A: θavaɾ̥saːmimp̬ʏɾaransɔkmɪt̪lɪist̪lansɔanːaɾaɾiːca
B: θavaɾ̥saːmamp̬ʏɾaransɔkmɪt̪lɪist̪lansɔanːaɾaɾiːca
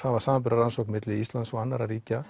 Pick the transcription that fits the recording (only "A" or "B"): B